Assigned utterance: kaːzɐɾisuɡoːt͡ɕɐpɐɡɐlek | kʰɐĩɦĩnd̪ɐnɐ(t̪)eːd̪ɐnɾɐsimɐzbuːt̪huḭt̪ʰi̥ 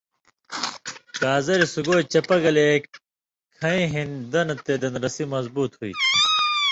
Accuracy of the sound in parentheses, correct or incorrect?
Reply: correct